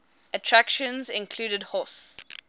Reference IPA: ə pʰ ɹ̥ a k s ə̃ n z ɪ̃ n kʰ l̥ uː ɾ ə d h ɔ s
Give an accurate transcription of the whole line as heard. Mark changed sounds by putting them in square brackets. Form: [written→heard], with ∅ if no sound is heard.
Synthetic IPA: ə [pʰ→tʰ] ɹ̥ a k [s→ʃ] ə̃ n z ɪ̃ n kʰ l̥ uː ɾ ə d h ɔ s